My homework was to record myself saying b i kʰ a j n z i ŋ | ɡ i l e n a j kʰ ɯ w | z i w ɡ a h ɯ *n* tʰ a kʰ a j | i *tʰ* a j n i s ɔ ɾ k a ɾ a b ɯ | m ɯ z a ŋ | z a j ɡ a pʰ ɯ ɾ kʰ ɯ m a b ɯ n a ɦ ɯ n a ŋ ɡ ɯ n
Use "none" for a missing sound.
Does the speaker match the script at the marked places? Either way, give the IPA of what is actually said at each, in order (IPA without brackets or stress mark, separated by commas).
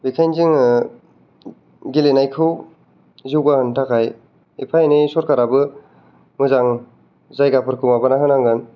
n, pʰ